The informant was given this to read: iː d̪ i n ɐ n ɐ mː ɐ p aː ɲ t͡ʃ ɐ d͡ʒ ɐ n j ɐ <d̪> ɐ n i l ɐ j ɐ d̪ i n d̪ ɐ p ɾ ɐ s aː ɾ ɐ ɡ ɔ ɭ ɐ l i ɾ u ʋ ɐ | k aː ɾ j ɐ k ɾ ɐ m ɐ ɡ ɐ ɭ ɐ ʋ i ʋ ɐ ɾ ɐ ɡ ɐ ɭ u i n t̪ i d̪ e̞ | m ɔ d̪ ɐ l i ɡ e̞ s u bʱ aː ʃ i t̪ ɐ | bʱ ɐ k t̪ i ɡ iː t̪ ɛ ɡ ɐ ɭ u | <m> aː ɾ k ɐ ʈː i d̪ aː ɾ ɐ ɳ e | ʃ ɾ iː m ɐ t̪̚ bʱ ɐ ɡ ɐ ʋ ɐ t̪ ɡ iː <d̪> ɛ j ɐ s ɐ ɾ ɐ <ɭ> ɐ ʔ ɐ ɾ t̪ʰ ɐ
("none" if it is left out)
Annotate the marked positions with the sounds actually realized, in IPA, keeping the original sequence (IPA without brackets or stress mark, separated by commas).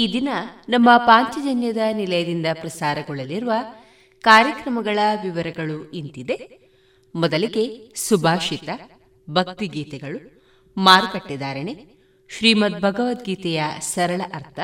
d̪, m, t̪, ɭ